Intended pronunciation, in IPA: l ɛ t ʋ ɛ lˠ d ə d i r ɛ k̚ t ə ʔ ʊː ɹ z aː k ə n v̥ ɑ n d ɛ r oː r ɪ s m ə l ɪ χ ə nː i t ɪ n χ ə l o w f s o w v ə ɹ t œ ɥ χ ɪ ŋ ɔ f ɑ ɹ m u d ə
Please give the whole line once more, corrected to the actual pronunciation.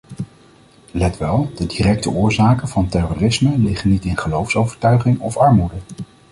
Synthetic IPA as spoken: l ɛ t ʋ ɛ lˠ d ə d i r ɛ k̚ t ə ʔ ʊː ɹ z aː k ə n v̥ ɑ n t ɛ r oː r ɪ s m ə l ɪ χ ə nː i t ɪ n χ ə l o w f s o w v ə ɹ t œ ɥ χ ɪ ŋ ɔ f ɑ ɹ m u d ə